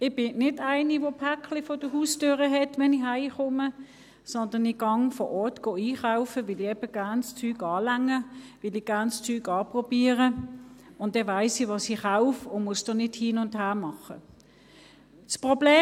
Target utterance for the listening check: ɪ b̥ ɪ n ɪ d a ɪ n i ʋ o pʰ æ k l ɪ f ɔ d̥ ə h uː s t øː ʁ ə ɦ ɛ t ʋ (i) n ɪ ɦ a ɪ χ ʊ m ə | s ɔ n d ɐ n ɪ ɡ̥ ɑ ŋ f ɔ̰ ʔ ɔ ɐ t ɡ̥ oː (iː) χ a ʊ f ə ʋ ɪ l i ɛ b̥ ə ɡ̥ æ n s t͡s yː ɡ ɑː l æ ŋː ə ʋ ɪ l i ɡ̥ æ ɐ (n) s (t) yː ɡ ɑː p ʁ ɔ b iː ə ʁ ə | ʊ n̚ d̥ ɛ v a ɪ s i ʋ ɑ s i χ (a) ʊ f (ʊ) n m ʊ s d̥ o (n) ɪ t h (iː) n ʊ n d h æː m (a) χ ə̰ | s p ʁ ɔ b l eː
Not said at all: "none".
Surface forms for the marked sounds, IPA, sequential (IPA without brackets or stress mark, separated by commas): ɛ, iː, n, t͡s, a, ʊ, n, iː, ɑ